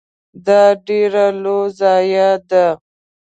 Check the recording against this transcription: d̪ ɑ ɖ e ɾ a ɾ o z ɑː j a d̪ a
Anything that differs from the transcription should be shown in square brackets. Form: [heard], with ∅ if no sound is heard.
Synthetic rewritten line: d̪ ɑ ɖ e ɾ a [l] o z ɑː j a d̪ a